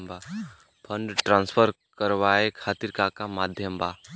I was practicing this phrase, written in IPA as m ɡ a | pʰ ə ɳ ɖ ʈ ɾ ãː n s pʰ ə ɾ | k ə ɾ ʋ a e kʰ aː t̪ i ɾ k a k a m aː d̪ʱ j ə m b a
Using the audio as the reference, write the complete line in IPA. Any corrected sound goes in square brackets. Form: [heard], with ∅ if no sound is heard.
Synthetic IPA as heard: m [b] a | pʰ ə ɳ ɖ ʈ ɾ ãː n s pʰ ə ɾ | k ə ɾ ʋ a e kʰ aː t̪ i ɾ k a k a m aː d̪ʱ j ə m b a